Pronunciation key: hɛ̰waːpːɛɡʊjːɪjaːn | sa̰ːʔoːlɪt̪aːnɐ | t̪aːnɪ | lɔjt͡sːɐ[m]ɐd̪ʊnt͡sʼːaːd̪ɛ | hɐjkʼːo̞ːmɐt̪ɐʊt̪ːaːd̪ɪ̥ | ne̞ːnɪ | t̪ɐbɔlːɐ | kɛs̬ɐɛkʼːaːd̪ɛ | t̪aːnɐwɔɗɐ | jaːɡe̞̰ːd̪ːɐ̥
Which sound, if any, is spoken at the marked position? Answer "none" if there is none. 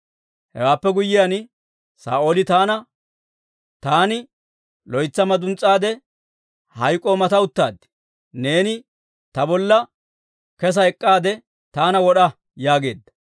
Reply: m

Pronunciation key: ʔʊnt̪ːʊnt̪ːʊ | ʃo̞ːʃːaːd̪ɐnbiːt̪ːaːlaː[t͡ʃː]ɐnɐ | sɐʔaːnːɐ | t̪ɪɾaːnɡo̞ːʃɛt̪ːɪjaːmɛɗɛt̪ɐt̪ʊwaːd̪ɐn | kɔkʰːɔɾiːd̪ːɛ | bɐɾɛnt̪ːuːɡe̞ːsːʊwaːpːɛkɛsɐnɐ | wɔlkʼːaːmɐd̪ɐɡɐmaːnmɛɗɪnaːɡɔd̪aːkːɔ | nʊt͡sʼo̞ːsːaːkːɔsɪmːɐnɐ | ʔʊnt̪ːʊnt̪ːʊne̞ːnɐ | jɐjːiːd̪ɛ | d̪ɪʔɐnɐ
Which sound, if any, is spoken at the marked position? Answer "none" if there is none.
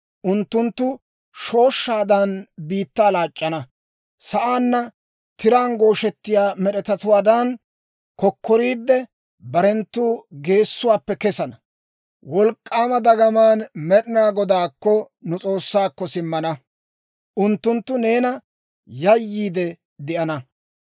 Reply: t͡ʃʼː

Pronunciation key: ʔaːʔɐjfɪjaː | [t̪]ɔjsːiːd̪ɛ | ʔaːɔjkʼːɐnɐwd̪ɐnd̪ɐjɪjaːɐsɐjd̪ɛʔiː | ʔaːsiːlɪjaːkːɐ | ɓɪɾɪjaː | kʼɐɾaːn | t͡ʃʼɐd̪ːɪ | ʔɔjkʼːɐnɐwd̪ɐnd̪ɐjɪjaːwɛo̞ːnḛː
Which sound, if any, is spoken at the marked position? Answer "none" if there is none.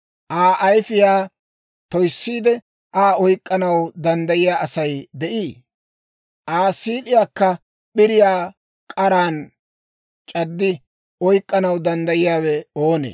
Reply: t̪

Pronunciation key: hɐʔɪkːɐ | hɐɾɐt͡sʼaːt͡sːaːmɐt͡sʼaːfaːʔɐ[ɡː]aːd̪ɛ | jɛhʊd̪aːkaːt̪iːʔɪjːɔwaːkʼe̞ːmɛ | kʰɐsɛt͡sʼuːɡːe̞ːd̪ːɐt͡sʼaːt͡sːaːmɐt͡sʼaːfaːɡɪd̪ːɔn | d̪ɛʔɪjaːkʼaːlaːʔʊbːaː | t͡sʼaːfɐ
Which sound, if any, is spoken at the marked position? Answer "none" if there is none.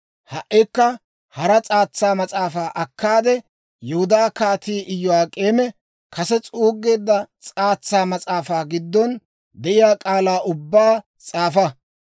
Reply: kː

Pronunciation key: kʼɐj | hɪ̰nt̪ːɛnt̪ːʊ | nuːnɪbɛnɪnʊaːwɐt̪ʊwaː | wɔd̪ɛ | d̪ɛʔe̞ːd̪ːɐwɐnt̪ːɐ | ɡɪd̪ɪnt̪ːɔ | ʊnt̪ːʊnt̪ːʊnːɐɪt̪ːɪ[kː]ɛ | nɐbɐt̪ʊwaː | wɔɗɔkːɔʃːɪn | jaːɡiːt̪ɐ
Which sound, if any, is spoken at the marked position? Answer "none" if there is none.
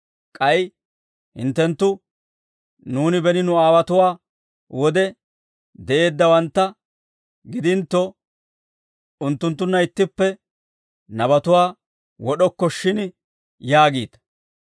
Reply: pː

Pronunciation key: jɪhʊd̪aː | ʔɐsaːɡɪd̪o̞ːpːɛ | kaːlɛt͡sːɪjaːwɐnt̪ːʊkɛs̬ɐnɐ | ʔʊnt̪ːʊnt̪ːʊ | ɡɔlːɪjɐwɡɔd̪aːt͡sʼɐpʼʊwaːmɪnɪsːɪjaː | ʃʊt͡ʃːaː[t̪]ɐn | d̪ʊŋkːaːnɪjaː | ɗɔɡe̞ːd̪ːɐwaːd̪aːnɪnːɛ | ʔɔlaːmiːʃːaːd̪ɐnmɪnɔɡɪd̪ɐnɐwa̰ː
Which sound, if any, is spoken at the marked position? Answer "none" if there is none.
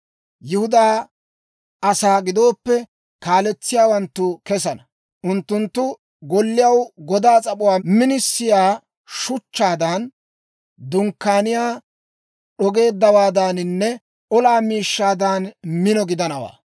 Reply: d̪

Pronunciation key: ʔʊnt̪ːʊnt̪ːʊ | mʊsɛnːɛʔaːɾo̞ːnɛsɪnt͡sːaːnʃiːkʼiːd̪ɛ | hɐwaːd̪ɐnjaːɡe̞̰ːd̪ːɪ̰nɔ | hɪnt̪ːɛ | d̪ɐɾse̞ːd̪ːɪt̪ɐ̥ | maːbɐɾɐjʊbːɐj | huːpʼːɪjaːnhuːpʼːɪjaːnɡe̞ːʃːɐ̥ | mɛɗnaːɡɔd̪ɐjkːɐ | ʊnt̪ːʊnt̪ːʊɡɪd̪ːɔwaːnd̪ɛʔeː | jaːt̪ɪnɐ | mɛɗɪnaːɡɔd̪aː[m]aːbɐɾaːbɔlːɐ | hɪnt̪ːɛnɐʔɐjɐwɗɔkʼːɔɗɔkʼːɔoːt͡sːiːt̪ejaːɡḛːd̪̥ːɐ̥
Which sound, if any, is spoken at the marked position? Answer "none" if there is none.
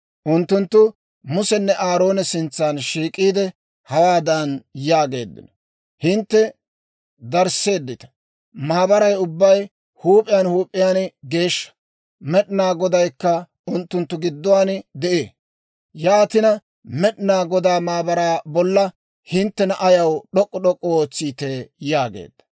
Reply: m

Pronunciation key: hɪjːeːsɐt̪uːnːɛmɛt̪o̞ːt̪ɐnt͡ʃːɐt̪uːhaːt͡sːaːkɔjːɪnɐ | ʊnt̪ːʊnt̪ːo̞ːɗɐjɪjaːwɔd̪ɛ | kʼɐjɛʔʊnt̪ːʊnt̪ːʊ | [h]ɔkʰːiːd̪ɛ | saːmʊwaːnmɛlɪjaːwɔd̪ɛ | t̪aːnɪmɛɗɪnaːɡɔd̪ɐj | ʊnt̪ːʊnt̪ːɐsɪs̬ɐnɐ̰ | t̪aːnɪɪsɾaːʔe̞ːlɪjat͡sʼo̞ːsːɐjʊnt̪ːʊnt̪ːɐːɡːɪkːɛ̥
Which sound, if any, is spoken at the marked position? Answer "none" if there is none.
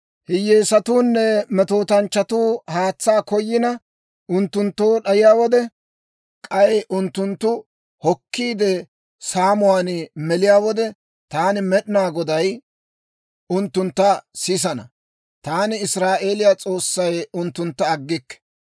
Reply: h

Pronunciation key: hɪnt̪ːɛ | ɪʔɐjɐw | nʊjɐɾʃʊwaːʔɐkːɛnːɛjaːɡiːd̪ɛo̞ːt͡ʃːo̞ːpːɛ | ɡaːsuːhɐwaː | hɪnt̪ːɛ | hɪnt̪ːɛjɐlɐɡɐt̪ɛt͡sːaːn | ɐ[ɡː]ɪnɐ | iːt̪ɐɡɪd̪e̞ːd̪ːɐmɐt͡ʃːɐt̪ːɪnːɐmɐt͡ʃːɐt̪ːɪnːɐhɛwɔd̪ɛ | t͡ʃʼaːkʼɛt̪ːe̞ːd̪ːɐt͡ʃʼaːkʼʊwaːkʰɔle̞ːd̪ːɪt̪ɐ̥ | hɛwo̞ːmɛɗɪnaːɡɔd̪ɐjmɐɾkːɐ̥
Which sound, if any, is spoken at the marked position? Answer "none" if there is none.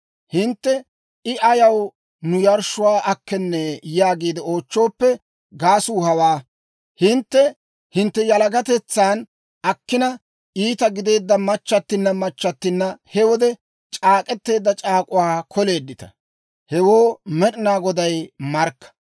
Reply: kː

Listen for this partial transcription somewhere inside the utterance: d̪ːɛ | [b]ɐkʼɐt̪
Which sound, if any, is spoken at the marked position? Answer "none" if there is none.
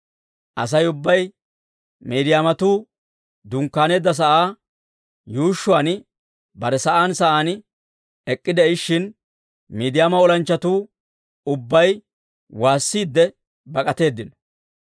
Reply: b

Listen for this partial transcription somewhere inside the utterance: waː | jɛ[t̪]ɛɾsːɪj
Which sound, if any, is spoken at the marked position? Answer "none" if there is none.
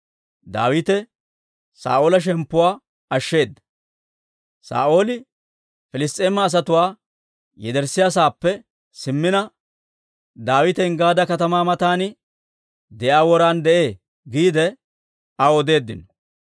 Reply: d̪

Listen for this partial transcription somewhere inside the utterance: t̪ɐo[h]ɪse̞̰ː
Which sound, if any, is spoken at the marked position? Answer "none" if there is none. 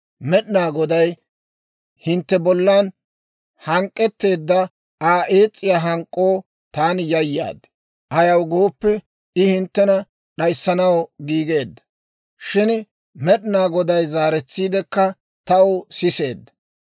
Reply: s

